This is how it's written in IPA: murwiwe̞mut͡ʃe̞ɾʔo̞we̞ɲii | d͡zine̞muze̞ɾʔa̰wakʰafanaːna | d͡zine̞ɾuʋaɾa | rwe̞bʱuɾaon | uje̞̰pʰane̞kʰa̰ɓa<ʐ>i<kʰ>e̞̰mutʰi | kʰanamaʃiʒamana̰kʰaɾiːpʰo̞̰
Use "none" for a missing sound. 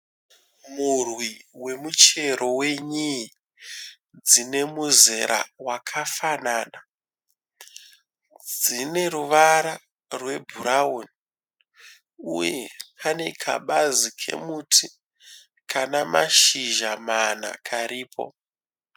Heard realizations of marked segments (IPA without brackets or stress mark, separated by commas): z, kʰ